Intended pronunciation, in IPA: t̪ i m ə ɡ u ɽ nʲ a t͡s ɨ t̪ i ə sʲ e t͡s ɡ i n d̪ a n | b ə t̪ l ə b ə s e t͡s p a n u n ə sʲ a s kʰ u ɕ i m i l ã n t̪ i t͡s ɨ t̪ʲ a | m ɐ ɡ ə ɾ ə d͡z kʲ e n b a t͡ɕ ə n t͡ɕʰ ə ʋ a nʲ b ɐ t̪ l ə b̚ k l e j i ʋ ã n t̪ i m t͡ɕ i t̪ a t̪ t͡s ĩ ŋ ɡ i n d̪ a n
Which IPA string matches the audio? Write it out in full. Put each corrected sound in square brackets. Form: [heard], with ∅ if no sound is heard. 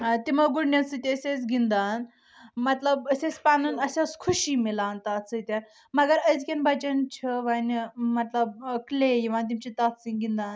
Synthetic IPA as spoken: t̪ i m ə ɡ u ɽ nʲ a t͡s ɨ t̪ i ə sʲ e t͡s ɡ i n d̪ a n | [m] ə t̪ l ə b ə s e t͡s p a n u n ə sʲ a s kʰ u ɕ i m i l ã n t̪ [a] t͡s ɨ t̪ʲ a | m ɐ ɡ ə ɾ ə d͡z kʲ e n b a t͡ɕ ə n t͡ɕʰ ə ʋ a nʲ [m] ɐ t̪ l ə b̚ k l e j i ʋ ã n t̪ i m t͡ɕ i t̪ a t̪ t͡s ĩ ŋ ɡ i n d̪ a n